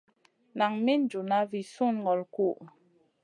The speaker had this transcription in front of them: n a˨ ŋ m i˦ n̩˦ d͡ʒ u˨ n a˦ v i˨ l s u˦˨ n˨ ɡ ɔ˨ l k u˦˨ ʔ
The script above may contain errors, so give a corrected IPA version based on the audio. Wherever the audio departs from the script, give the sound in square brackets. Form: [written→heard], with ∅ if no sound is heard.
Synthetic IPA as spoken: n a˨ ŋ m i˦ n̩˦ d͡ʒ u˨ n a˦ v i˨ [l→∅] s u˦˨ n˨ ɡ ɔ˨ l k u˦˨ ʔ